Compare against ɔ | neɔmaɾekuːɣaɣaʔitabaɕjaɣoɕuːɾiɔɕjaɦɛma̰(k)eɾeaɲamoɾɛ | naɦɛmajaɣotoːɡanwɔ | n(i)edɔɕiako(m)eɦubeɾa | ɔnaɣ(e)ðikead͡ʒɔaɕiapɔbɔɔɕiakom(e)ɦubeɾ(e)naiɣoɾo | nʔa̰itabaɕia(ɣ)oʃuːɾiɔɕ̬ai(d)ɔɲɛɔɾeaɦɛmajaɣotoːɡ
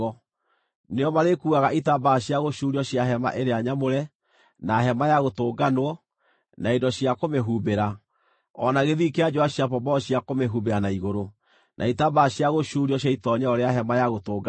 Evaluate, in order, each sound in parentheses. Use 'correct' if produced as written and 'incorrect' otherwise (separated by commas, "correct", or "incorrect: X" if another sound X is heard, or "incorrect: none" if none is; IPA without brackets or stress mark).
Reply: incorrect: ʔ, incorrect: a, correct, correct, correct, incorrect: a, correct, incorrect: t